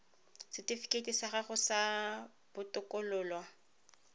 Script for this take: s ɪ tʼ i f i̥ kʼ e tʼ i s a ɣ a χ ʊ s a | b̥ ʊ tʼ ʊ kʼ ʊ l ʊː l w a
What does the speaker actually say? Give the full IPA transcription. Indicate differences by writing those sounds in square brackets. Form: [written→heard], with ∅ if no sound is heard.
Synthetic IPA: s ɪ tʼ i f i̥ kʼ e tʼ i s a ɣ a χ ʊ s a | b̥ ʊ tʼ ʊ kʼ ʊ l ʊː l w a